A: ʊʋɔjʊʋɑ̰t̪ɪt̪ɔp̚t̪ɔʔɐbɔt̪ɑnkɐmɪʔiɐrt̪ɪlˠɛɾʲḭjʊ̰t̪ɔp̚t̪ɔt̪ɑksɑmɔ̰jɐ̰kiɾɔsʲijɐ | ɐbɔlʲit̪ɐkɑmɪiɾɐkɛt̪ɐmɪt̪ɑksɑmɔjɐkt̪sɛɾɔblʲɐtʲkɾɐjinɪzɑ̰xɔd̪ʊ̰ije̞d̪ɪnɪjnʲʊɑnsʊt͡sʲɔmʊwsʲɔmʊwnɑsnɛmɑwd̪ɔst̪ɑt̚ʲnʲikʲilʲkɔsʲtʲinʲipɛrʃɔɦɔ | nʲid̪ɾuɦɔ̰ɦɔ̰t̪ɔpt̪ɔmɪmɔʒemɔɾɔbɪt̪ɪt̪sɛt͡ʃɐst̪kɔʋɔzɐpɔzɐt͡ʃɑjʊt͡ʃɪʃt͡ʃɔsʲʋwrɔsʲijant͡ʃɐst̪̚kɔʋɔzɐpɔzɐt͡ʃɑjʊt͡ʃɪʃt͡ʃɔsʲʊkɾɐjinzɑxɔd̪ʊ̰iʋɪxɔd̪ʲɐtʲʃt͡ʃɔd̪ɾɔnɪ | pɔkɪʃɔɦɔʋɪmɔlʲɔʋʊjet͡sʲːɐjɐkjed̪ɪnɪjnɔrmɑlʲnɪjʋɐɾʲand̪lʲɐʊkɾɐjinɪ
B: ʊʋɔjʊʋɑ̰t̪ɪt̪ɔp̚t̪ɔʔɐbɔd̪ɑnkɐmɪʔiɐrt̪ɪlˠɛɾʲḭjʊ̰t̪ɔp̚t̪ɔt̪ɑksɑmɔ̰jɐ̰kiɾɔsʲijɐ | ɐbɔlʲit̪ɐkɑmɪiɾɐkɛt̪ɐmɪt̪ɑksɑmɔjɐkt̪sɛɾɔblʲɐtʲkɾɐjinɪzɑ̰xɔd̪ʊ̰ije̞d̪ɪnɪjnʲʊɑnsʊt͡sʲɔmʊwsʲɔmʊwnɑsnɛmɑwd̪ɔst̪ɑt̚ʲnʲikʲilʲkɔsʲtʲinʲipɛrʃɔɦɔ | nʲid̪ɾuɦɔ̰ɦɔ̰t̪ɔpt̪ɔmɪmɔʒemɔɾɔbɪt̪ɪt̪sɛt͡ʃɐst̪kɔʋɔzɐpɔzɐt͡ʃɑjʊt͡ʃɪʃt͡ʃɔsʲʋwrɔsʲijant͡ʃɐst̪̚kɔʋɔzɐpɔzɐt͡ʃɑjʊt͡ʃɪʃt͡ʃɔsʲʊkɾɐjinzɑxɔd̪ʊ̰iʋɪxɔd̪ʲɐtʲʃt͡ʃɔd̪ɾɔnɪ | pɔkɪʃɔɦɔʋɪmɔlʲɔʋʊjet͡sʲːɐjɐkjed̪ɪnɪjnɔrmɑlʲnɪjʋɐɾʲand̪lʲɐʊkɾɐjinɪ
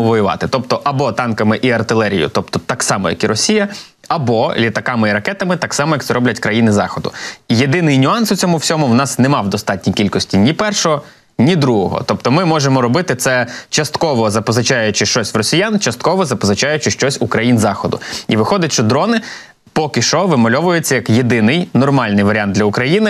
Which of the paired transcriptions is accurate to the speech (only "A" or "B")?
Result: A